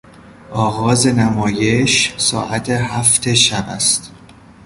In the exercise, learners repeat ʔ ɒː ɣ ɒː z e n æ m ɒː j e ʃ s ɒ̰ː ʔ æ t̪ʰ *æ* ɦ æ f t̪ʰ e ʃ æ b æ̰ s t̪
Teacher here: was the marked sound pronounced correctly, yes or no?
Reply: no